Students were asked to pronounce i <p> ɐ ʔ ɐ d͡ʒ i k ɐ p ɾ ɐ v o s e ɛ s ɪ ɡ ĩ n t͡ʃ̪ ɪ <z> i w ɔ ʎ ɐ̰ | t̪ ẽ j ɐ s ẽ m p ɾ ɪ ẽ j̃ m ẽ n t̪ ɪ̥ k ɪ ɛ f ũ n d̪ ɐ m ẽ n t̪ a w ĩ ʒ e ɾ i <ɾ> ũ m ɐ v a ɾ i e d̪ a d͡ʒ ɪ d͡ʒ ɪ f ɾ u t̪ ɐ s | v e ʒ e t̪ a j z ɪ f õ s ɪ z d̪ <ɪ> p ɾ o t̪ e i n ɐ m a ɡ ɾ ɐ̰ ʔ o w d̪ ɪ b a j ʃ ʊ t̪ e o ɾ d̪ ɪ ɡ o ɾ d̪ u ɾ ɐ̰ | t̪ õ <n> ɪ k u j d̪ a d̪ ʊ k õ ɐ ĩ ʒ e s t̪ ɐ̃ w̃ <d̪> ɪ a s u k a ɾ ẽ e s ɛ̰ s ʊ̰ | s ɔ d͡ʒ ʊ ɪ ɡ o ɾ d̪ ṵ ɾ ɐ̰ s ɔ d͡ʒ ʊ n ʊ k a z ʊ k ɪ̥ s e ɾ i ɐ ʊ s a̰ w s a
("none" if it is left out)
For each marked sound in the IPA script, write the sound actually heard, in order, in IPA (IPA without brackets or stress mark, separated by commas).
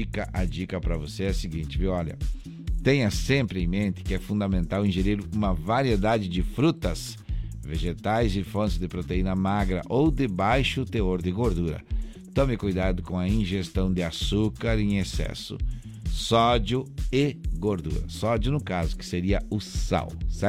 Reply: k, v, ɾ, ɪ, m, d̪